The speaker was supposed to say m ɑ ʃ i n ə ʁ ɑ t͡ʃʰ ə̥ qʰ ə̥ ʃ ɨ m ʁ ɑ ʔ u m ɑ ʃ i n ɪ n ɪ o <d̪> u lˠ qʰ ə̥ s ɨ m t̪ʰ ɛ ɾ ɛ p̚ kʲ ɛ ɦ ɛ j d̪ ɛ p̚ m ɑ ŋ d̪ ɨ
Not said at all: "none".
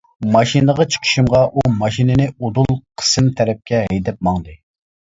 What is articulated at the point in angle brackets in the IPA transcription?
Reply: d̪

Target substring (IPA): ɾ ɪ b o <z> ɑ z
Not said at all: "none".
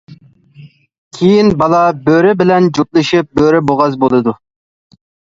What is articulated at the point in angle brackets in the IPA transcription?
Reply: ʁ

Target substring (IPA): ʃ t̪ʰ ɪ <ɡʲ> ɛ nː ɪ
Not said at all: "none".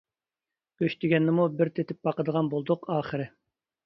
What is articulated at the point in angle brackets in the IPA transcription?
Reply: ɡʲ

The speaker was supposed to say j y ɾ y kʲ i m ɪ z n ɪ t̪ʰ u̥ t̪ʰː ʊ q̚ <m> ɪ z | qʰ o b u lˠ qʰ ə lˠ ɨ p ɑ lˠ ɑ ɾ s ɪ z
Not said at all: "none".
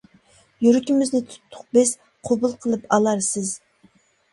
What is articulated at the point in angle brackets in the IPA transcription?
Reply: b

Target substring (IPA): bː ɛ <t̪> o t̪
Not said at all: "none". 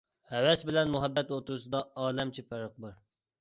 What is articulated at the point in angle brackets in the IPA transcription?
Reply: t̪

